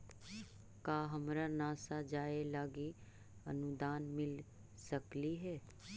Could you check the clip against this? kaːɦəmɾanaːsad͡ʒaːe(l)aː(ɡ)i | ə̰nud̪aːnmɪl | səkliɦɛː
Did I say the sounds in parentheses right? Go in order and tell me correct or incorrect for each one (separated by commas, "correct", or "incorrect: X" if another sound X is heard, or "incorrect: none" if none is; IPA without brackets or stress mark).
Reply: correct, correct